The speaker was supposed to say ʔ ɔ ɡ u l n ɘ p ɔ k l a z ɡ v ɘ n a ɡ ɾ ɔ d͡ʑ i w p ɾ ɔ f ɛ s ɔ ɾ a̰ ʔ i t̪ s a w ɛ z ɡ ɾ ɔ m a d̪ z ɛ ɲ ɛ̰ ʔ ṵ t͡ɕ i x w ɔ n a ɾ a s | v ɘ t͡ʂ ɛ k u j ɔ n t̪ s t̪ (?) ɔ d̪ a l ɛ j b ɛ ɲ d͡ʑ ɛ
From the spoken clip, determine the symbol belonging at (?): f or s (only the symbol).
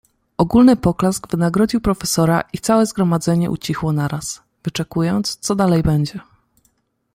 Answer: s